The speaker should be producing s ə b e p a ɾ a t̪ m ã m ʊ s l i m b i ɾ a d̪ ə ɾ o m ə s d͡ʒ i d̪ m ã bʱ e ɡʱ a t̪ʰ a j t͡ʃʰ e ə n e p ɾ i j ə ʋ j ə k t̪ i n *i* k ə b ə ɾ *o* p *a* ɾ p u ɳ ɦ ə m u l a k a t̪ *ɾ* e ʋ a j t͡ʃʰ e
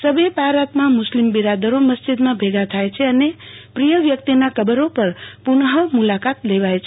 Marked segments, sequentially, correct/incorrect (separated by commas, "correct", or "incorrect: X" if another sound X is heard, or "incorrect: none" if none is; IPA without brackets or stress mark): incorrect: a, correct, incorrect: ə, incorrect: l